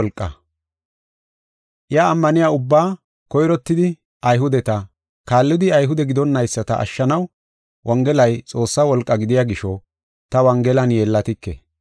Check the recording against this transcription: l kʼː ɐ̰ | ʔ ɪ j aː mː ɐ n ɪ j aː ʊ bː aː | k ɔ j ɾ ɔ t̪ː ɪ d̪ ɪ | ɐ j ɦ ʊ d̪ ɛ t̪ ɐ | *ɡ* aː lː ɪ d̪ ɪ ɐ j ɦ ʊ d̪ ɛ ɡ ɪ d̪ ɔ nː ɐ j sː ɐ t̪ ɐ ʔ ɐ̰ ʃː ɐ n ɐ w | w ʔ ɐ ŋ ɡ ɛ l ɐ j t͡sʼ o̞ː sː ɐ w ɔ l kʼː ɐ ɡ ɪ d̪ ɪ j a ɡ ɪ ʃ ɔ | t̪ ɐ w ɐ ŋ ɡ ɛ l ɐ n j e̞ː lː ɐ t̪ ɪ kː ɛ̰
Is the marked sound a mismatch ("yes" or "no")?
yes